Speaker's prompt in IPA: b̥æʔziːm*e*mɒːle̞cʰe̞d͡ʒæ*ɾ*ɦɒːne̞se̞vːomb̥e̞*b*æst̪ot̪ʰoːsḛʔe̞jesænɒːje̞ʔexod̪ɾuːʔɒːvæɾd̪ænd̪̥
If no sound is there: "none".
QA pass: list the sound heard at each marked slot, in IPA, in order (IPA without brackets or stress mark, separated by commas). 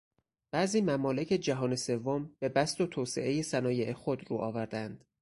æ, none, b